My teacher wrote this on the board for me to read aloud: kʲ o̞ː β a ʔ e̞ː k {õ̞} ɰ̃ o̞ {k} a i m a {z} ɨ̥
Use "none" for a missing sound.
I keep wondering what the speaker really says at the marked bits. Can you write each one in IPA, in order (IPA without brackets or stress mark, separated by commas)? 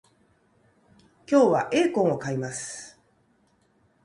õ̞, k, s